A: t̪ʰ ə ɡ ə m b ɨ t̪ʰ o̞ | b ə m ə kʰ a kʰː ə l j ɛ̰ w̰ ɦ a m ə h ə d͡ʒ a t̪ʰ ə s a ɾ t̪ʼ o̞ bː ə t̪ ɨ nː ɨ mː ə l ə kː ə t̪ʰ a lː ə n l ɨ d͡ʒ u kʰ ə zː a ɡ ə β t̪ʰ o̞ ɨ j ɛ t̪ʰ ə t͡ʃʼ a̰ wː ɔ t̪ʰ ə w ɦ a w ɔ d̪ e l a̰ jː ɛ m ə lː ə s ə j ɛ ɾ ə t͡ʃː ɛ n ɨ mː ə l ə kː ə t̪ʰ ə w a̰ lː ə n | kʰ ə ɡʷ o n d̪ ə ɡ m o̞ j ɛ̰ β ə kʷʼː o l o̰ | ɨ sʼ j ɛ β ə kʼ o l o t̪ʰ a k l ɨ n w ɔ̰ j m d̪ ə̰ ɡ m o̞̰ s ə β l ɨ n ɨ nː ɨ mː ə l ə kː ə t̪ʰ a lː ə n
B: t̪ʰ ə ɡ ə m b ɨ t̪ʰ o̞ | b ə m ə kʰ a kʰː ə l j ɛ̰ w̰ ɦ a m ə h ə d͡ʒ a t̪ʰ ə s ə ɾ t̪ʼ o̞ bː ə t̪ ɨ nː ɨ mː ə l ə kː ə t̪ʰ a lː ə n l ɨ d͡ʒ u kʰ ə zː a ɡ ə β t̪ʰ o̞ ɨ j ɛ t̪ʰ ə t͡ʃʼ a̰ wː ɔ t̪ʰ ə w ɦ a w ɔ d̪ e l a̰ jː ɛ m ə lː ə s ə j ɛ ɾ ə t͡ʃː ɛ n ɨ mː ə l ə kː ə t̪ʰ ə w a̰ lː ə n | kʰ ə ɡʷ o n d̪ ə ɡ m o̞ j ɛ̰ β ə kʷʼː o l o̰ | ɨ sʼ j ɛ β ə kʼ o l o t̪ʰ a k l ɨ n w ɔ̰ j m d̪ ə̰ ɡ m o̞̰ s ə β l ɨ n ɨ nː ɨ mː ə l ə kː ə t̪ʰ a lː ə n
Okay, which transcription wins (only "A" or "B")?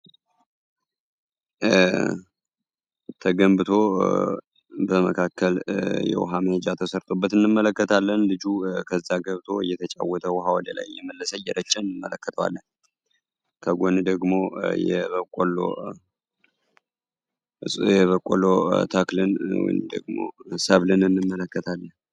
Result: B